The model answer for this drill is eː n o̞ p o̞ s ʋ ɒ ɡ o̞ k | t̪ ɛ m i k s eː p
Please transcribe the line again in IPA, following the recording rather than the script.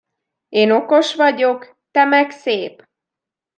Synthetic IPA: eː n o̞ k o̞ ʃ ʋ ɒ ɟ o̞ k | t̪ ɛ m ɛ k s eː p